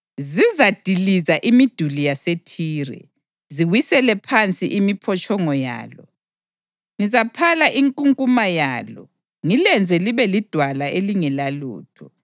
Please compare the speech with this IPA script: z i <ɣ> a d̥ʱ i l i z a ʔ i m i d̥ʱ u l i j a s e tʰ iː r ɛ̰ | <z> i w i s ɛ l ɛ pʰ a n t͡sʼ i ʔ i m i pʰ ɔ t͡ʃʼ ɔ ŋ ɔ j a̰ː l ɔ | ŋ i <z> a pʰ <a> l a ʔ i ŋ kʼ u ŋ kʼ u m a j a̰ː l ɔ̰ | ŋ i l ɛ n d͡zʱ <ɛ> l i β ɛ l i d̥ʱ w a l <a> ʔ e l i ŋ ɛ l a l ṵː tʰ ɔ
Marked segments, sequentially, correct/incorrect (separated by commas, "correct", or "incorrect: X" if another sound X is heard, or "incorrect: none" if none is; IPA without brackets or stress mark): incorrect: z, correct, correct, correct, correct, correct